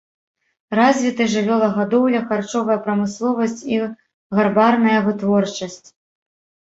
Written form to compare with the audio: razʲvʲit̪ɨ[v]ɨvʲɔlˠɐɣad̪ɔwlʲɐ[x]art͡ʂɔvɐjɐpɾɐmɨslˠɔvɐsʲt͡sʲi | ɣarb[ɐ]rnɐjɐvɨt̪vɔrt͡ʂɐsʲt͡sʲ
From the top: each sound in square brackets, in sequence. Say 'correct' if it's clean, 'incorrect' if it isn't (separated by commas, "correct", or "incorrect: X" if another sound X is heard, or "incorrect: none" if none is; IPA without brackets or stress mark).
incorrect: ʐ, correct, incorrect: a